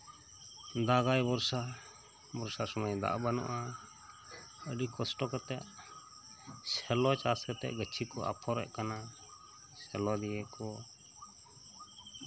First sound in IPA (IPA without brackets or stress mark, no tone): d̪